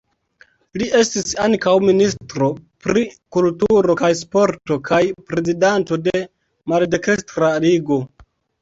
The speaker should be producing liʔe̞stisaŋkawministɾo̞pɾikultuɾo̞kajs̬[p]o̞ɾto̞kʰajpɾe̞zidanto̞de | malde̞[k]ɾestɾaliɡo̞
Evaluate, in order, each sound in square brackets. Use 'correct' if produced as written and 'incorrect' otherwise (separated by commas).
correct, correct